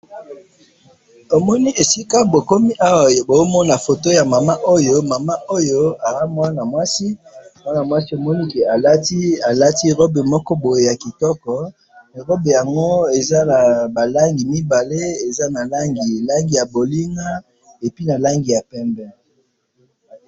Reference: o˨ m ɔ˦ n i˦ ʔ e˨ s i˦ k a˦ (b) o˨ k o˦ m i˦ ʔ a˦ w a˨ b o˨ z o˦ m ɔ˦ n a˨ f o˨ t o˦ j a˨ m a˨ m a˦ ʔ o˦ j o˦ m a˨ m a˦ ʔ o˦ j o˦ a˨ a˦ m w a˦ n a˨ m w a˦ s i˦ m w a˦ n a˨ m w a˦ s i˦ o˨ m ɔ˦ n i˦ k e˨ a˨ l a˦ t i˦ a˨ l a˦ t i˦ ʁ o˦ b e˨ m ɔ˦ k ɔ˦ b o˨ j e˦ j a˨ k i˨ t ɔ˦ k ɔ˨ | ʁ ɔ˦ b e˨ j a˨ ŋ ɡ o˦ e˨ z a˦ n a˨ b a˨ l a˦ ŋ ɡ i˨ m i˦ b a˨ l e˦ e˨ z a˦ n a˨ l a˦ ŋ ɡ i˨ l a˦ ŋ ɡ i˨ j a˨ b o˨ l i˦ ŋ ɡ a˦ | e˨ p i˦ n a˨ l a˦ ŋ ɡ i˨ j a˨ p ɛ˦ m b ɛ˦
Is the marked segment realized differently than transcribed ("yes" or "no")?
no